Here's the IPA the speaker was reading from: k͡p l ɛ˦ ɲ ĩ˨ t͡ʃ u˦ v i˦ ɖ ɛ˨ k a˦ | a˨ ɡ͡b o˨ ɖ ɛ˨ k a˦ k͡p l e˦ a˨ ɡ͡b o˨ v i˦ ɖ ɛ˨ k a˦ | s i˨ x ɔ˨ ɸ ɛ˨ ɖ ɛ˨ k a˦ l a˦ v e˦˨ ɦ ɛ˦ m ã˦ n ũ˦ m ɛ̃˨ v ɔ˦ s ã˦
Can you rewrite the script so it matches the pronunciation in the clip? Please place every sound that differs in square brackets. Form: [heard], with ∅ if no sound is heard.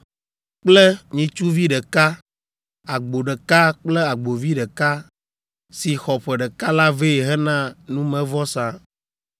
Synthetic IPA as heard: k͡p l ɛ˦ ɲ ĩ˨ t͡ʃ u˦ v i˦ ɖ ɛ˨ k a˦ | a˨ ɡ͡b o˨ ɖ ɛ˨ k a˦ k͡p l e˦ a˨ ɡ͡b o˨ v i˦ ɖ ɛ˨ k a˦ | s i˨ x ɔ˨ ɸ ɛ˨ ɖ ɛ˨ k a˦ l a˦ v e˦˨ ɦ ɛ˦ [n] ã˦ n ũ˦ m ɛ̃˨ v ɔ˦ s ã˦

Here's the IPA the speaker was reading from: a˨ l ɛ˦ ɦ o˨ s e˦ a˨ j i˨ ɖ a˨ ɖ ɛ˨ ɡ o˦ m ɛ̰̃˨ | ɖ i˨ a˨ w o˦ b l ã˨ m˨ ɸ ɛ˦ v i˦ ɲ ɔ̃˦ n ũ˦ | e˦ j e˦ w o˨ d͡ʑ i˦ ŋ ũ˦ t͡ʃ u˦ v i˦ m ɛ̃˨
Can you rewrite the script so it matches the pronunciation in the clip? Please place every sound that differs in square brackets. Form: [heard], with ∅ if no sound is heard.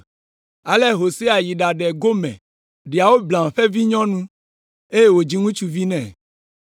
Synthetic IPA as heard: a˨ l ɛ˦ ɦ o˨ s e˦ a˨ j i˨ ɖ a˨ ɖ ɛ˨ ɡ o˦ m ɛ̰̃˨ | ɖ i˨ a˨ w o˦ b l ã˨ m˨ ɸ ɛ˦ v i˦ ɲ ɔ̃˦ n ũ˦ | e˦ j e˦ w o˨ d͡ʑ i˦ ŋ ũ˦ t͡ʃ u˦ v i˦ [n] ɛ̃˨

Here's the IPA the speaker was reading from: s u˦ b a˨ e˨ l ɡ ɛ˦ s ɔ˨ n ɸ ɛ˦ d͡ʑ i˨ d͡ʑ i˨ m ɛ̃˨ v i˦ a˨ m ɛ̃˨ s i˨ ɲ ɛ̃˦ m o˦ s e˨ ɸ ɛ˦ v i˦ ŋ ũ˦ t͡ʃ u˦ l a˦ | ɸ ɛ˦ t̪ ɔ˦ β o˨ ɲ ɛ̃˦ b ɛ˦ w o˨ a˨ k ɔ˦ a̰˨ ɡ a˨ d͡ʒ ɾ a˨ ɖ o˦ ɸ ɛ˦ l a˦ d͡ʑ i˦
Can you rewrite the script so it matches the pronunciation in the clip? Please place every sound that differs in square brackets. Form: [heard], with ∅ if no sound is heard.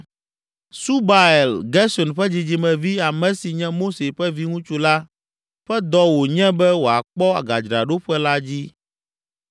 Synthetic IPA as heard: s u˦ b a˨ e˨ l ɡ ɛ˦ s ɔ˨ n ɸ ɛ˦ d͡ʑ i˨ d͡ʑ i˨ m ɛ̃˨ v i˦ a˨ m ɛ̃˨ s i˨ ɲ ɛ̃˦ m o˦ s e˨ ɸ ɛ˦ v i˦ ŋ ũ˦ t͡ʃ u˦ l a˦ | ɸ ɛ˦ [d̪] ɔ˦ [w] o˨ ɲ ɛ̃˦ b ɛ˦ w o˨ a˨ [k͡p] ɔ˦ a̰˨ ɡ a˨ d͡ʒ ɾ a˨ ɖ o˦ ɸ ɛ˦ l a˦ d͡ʑ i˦

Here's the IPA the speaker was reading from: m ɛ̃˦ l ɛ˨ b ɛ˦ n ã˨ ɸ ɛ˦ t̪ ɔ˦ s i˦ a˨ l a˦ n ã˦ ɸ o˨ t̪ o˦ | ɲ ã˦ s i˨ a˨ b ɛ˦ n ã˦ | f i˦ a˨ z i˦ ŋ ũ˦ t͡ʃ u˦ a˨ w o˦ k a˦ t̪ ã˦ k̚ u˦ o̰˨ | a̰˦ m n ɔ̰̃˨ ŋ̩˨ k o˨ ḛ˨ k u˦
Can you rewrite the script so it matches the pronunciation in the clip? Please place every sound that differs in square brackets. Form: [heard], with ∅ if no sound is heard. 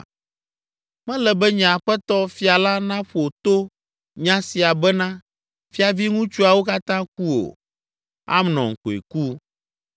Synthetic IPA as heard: m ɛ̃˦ l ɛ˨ b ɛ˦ [ɲ] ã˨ ɸ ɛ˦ t̪ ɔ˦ [f] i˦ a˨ l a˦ n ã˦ ɸ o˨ t̪ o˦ | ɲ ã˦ s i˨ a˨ b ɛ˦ n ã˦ | f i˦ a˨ [v] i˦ ŋ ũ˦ t͡ʃ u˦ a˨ w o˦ k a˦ t̪ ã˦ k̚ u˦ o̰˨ | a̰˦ m n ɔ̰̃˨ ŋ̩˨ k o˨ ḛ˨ k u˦

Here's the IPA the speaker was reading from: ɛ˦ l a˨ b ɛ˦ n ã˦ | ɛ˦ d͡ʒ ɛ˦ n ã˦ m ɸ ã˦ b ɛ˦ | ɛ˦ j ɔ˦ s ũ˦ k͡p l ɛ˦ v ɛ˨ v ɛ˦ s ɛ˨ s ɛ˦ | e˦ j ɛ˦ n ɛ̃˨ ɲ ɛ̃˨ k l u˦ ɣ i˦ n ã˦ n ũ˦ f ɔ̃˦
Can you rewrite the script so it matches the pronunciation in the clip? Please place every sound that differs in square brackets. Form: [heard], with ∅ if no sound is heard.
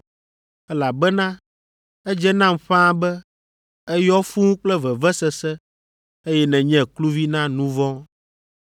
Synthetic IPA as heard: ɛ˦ l a˨ b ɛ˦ n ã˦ | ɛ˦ d͡ʒ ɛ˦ n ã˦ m ɸ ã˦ b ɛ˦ | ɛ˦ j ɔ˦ [f] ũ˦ k͡p l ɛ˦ v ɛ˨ v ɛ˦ s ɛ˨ s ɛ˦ | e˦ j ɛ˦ n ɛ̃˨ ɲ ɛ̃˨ k l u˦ [v] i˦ n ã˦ n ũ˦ [v] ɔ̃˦

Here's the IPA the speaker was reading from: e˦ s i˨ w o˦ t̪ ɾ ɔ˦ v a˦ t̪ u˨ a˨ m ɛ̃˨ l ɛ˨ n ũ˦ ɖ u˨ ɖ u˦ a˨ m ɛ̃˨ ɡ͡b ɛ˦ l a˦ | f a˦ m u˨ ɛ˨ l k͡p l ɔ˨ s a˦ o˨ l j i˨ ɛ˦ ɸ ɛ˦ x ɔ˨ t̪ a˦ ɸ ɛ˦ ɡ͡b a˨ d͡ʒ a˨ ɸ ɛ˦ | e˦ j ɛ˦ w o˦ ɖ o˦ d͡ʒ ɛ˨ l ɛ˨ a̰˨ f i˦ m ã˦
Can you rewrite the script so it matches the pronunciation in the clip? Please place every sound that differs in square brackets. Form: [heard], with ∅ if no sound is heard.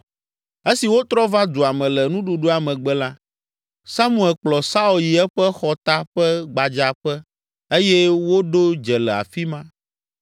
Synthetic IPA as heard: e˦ s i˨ w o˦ t̪ ɾ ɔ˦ v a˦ [d̪] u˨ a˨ m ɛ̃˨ l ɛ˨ n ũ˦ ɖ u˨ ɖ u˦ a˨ m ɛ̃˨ ɡ͡b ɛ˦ l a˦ | [s] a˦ m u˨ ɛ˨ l k͡p l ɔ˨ s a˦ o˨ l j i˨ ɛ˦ ɸ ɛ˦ x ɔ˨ t̪ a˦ ɸ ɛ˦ ɡ͡b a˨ d͡ʒ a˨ ɸ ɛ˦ | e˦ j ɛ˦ w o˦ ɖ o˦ d͡ʒ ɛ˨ l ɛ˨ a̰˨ f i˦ m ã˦

